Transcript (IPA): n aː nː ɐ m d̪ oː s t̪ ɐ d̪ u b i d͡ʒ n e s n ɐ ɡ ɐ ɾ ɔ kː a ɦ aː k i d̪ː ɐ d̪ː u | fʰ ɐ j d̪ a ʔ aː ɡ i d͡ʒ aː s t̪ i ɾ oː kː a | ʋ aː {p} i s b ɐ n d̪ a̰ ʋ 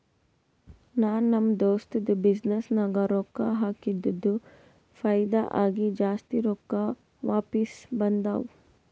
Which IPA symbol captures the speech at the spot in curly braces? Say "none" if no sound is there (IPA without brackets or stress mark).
p